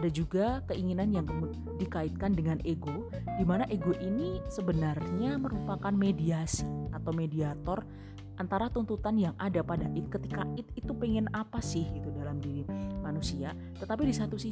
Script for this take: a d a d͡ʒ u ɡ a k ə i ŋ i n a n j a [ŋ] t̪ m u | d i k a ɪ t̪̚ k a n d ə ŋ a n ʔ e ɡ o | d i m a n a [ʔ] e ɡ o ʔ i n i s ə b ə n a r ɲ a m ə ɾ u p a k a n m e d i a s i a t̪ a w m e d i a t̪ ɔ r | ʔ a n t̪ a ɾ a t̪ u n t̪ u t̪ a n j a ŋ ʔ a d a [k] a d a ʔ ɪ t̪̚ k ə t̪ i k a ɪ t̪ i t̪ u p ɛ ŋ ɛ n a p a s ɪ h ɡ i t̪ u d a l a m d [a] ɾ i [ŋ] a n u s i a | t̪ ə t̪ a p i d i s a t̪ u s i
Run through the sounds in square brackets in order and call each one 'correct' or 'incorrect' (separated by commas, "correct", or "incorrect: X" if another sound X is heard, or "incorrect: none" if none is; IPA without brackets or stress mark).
correct, correct, incorrect: p, incorrect: i, incorrect: m